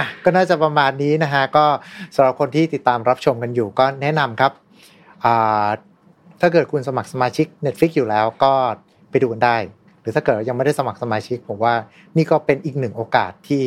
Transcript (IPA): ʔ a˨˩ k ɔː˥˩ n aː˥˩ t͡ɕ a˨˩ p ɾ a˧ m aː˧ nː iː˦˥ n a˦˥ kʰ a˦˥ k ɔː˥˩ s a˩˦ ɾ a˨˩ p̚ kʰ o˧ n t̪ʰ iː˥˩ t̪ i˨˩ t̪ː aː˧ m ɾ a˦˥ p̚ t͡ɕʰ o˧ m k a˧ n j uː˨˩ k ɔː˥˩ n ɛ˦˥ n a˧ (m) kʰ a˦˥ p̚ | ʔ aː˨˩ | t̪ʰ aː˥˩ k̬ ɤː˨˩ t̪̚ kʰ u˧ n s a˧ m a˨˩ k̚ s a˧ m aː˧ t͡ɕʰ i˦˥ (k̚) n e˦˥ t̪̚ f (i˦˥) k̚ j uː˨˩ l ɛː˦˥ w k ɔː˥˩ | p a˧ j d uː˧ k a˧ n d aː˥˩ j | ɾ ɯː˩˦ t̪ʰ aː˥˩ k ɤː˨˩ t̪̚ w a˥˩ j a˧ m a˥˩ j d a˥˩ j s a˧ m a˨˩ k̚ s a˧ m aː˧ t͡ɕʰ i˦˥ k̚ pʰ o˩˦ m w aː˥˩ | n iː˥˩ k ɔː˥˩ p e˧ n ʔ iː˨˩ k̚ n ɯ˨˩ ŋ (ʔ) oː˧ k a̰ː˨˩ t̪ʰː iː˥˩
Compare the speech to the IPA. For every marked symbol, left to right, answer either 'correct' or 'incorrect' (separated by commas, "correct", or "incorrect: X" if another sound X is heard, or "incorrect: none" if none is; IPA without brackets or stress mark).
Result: correct, correct, correct, correct